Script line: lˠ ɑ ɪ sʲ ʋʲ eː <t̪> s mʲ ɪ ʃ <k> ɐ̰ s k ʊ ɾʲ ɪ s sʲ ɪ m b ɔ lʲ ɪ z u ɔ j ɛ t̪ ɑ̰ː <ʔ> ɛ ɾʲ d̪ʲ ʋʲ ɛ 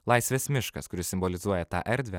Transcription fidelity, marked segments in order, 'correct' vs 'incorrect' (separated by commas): incorrect, correct, correct